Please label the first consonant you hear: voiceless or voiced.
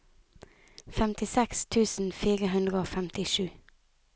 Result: voiceless